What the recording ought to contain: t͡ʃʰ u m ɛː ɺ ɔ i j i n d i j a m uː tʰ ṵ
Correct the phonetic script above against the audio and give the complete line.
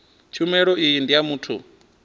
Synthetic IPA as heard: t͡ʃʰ u m ɛ ɺ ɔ i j i n d i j a m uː tʰ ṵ